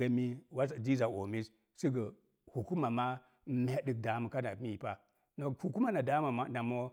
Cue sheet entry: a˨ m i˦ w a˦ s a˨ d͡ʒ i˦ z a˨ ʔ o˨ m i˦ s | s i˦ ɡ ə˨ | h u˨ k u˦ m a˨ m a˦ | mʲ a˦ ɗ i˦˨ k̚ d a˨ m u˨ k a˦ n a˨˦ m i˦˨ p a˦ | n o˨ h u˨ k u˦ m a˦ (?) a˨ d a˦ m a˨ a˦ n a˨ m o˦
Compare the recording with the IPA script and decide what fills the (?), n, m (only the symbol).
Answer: n